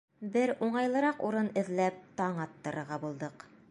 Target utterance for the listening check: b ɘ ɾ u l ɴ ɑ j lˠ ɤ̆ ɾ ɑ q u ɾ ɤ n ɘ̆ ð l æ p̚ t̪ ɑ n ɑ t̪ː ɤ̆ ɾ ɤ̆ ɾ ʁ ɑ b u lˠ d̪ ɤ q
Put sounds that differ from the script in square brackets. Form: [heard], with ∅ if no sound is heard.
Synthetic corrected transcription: b ɘ ɾ u [∅] ɴ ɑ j lˠ ɤ̆ ɾ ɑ q u ɾ ɤ n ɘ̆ ð l æ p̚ t̪ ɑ [ɴ] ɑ t̪ː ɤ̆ ɾ ɤ̆ ɾ ʁ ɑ b u lˠ d̪ ɤ q

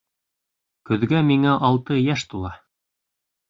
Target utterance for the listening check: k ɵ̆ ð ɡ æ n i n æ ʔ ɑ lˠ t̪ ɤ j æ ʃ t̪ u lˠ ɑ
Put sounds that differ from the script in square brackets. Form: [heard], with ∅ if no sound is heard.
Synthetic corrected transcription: k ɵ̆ ð ɡ æ [m] i [ŋ] æ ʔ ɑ lˠ t̪ ɤ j æ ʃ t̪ u lˠ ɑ

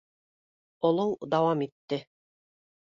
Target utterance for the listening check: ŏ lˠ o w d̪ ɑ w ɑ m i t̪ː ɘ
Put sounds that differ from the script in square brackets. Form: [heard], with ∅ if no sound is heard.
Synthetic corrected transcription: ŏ lˠ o w d̪ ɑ w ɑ m i t̪ː ɘ

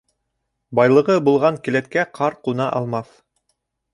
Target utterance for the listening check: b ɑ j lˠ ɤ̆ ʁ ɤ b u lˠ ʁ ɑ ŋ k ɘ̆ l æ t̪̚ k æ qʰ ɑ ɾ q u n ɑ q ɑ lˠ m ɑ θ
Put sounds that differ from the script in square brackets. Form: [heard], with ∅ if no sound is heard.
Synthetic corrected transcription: b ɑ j lˠ ɤ̆ ʁ ɤ b u lˠ ʁ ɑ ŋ k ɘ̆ l æ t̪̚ k æ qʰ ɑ ɾ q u n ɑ [ʔ] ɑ lˠ m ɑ θ

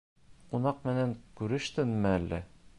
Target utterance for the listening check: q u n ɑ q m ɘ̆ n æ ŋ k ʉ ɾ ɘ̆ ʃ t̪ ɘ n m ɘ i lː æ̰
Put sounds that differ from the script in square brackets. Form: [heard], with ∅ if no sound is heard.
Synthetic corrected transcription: q u n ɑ q m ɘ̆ n æ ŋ k ʉ ɾ ɘ̆ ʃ t̪ ɘ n m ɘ [æ] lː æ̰

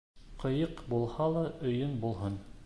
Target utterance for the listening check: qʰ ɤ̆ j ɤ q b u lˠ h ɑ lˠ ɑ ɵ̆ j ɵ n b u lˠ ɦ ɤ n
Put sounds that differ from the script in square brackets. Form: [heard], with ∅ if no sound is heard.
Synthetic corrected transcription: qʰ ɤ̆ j ɤ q b u lˠ h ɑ lˠ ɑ ɵ̆ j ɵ n b u lˠ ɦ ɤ n

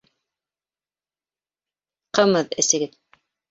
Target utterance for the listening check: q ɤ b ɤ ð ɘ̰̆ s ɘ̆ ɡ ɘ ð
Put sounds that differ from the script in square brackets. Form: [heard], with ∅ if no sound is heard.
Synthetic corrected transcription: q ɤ [m] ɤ ð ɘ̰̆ s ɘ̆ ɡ ɘ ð

